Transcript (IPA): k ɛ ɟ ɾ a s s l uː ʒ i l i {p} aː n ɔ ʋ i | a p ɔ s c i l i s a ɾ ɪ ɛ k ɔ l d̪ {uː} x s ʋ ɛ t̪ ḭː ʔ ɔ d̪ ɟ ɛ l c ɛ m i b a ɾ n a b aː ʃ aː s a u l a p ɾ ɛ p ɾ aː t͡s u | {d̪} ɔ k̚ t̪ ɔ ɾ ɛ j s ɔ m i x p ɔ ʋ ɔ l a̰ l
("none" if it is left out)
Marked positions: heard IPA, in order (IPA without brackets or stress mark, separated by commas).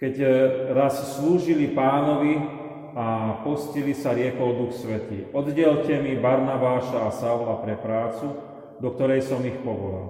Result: p, u, d̪